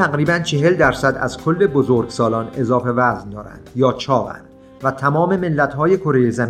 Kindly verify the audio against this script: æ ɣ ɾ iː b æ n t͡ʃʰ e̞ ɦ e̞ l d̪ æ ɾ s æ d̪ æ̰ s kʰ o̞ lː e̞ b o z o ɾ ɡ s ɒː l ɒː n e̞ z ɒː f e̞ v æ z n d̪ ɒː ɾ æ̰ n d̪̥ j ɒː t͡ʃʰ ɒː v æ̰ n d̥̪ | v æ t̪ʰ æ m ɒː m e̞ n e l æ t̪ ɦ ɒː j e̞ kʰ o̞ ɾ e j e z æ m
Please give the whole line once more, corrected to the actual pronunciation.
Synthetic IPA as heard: æ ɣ ɾ iː b æ n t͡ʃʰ e̞ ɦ e̞ l d̪ æ ɾ s æ d̪ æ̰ z kʰ o̞ lː e̞ b o z o ɾ ɡ s ɒː l ɒː n e̞ z ɒː f e̞ v æ z n d̪ ɒː ɾ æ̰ n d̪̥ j ɒː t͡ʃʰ ɒː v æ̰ n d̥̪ | v æ t̪ʰ æ m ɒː m e̞ m e lː æ t̪ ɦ ɒː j e̞ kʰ o̞ ɾ e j e z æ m